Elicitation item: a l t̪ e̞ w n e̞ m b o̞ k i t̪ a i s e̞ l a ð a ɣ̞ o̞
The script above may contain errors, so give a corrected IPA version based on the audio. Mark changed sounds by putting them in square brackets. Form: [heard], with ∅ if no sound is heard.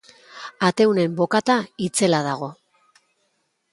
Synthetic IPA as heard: a [∅] t̪ e̞ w n e̞ m b o̞ k [a] t̪ a i [t͡s] e̞ l a ð a ɣ̞ o̞